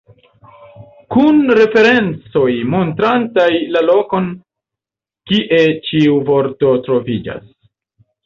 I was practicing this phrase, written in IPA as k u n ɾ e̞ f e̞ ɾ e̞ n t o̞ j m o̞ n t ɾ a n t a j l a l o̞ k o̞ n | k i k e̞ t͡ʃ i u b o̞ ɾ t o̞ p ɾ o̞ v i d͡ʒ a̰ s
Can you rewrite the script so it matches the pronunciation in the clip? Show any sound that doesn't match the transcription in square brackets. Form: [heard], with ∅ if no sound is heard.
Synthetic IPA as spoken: k u n ɾ e̞ f e̞ ɾ e̞ n [t͡s] o̞ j m o̞ n t ɾ a n t a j l a l o̞ k o̞ n | k i [ʔ] e̞ t͡ʃ i u [v] o̞ ɾ t o̞ [t] ɾ o̞ v i d͡ʒ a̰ s